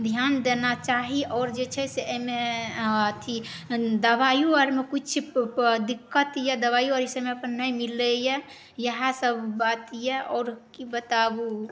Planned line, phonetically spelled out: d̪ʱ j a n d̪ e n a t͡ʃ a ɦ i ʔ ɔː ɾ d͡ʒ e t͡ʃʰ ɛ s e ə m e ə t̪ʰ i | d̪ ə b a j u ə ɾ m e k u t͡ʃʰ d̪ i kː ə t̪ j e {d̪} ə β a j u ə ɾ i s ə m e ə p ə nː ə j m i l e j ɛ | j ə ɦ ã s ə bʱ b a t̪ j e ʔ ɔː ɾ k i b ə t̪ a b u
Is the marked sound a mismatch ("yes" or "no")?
no